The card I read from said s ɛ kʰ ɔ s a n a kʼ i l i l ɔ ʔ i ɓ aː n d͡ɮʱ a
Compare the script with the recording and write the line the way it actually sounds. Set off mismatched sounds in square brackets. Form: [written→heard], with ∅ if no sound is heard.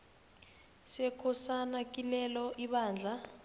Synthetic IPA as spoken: s ɛ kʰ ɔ s a n a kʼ i l [i→ɛ] l ɔ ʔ i ɓ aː n d͡ɮʱ a